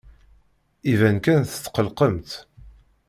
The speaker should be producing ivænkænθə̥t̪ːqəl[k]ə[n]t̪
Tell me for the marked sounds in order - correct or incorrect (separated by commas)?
incorrect, incorrect